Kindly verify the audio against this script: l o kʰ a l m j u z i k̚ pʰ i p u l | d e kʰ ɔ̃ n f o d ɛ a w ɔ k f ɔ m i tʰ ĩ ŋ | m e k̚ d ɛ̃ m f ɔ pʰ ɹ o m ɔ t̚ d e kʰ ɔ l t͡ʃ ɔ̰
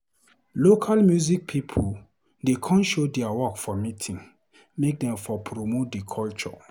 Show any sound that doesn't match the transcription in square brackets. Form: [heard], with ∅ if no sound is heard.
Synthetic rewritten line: l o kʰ a l m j u z i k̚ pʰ i [pʰ] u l | d e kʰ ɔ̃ n [ʃ] o d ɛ a w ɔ k f ɔ m i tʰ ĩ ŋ | m e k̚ d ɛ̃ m f ɔ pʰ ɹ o m [o] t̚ d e kʰ ɔ l t͡ʃ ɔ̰